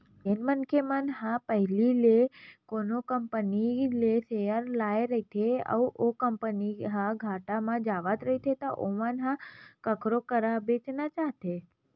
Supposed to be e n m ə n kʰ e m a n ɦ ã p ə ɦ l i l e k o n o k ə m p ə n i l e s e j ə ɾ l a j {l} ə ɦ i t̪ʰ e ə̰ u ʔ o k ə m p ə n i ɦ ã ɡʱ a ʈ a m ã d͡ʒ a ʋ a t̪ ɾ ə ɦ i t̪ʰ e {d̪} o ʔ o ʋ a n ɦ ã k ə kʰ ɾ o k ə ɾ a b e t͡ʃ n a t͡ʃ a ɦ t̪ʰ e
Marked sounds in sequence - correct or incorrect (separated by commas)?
incorrect, incorrect